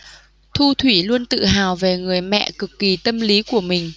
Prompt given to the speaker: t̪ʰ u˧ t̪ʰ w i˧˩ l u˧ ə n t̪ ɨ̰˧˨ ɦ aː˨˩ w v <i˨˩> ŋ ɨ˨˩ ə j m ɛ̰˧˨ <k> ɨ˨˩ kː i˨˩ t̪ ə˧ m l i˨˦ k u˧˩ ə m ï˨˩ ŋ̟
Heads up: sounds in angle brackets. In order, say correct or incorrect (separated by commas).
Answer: incorrect, correct